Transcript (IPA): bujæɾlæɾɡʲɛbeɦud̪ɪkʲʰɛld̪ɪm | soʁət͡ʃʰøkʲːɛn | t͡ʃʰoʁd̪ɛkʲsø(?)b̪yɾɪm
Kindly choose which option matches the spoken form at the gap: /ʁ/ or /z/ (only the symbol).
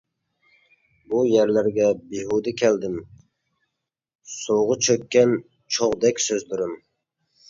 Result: z